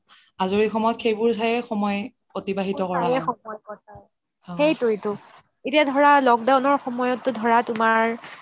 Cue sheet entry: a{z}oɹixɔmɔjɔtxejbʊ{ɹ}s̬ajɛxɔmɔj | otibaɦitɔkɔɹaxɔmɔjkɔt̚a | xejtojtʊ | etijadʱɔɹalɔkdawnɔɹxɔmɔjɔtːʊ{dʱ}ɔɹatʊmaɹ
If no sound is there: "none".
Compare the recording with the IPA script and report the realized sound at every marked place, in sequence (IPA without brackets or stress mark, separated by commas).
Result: z, ɹ, dʱ